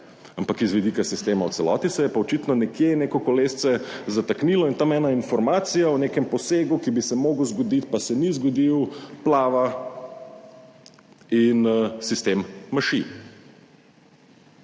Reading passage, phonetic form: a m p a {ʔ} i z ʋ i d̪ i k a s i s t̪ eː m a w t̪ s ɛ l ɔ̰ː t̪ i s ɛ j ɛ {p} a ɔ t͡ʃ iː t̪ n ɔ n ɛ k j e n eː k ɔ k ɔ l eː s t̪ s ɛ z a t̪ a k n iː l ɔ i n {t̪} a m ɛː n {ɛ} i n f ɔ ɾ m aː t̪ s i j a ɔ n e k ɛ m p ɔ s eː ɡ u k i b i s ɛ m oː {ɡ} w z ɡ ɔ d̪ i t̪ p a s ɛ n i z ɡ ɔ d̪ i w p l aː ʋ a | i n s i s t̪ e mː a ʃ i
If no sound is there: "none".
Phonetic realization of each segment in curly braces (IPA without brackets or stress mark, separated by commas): k, p, t̪, a, ɡ